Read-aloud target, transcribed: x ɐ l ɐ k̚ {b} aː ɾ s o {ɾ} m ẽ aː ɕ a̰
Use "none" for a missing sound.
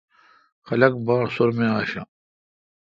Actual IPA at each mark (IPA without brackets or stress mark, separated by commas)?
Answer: b, ɾ